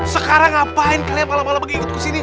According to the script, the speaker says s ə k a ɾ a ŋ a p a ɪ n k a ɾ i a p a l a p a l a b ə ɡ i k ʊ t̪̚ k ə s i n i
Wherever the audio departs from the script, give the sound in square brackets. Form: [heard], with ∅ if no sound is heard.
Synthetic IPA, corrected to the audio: s ə k a ɾ a ŋ a p a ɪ n k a [l] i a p a l a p a l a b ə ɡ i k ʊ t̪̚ k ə s i n i